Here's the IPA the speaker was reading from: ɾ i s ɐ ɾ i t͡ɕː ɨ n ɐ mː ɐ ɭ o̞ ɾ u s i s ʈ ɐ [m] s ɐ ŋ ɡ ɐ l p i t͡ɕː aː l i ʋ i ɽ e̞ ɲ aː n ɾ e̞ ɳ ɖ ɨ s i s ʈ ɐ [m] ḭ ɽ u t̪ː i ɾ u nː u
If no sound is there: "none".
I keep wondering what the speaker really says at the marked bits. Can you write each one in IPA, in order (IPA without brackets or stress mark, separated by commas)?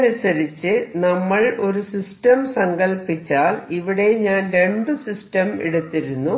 m, m